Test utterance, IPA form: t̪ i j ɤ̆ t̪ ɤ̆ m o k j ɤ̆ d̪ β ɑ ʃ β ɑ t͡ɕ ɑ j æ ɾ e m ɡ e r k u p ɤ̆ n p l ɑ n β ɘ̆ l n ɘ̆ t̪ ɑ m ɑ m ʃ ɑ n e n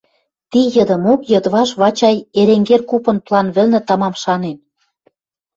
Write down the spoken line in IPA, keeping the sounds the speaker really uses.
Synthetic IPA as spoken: t̪ i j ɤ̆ d̪ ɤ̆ m o k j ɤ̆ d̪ β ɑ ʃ β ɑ t͡ɕ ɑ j e ɾ e ŋ ɡ e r k u p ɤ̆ n p l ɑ n β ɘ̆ l n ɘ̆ t̪ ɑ m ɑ m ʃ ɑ n e n